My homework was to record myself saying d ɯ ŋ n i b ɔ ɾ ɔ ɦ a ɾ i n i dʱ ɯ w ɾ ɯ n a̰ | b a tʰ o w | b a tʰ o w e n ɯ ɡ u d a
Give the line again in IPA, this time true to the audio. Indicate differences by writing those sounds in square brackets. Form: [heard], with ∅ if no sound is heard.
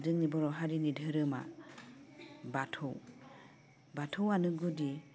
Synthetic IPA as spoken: d ɯ ŋ n i b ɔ ɾ ɔ ɦ a ɾ i n i dʱ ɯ [∅] ɾ ɯ [m] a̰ | b a tʰ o w | b a tʰ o w [a] n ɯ ɡ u d [i]